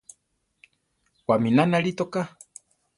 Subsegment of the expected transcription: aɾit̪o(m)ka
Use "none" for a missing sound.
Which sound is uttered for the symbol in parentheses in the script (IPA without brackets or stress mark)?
none